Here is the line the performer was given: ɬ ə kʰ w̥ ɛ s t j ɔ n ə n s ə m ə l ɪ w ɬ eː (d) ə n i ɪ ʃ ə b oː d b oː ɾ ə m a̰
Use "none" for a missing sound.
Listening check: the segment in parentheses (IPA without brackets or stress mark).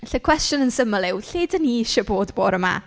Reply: d